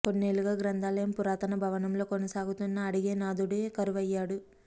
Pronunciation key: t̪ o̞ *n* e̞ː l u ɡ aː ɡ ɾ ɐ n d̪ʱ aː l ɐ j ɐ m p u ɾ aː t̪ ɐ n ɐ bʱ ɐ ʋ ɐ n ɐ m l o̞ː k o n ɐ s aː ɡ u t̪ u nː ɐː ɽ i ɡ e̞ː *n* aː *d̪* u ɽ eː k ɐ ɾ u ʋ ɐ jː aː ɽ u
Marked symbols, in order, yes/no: no, yes, yes

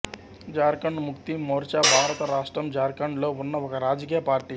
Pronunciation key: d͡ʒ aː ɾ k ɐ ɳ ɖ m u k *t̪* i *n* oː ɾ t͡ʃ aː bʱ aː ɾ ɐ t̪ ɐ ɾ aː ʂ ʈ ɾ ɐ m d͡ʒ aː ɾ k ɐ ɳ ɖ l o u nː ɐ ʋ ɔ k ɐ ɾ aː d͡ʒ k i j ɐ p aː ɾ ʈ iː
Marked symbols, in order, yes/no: yes, no

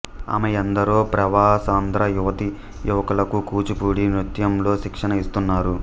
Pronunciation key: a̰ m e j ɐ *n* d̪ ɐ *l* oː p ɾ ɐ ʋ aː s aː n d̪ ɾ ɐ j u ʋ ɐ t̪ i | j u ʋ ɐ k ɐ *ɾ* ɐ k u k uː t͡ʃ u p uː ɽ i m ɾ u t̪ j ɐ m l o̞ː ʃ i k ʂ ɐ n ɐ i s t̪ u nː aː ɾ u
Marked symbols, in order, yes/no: yes, no, no

